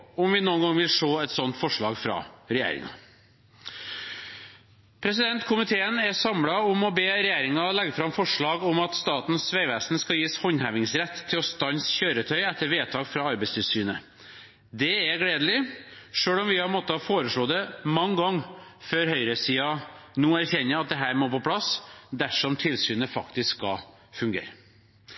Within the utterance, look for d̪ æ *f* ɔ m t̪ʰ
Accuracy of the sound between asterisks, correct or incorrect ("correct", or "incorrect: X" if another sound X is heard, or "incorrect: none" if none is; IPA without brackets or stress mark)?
incorrect: ʂ